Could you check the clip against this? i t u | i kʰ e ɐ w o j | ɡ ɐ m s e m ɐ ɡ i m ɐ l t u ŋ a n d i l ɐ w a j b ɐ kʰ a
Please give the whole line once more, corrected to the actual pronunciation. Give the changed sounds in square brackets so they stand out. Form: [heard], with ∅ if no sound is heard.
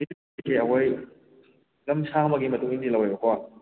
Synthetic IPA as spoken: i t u | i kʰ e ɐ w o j | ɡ ɐ m s [a] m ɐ ɡ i m ɐ [∅] t u ŋ [i] n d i l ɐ w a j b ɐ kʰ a